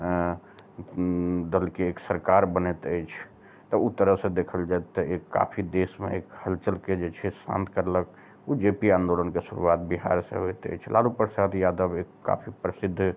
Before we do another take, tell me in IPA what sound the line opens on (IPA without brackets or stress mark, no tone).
d̪